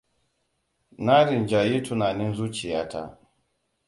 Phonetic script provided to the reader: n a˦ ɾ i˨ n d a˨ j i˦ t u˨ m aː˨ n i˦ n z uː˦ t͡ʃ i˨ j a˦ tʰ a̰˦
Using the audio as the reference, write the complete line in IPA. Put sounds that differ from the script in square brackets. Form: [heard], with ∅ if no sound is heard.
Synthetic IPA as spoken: n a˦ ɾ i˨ n [d͡ʒ] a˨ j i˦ t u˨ [n] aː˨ n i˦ n z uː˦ t͡ʃ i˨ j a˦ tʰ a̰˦